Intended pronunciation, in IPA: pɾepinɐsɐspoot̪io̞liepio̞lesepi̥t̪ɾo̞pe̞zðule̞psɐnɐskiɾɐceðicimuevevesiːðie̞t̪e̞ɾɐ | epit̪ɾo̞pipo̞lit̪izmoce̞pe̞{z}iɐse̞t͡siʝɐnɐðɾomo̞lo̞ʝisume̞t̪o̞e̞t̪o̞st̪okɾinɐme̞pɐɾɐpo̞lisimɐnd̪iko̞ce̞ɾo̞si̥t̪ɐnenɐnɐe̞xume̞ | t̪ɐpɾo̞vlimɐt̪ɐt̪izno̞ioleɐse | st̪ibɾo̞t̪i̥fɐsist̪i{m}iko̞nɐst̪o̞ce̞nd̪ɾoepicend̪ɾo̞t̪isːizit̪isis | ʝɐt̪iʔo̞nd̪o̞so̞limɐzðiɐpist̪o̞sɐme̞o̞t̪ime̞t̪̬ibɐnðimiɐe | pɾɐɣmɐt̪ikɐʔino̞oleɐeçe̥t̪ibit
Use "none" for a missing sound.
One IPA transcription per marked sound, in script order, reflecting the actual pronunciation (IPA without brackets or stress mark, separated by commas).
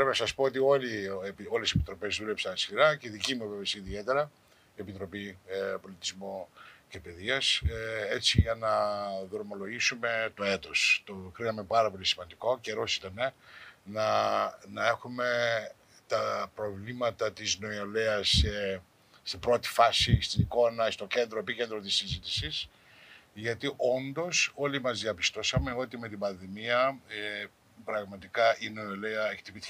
ð, n